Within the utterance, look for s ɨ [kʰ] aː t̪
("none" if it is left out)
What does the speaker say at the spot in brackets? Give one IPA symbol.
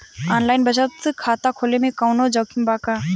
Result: kʰ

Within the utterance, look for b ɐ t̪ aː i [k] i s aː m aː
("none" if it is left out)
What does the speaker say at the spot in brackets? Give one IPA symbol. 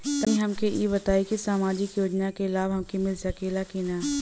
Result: k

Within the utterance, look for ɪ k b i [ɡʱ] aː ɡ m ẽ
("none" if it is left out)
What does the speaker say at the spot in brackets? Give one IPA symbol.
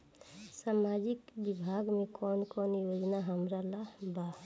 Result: bʱ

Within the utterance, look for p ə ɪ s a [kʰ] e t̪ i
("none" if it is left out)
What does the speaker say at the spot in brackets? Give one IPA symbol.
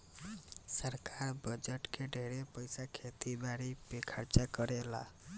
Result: kʰ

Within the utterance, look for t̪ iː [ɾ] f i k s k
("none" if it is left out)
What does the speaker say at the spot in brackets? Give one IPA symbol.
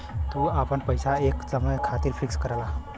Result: ɾ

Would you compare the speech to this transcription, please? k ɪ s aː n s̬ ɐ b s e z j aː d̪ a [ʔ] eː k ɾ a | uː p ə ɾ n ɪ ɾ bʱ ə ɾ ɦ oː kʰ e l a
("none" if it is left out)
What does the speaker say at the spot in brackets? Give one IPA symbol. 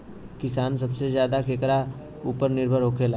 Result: k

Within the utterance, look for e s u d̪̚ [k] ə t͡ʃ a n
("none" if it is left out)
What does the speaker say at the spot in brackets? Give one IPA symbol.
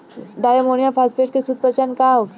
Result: p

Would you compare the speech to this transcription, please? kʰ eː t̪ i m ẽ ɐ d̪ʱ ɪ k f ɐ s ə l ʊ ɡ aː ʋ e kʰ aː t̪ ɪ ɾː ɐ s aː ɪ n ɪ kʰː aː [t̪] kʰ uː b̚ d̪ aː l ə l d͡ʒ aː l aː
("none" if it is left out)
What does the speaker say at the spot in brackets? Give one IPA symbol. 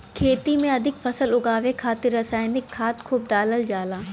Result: t̪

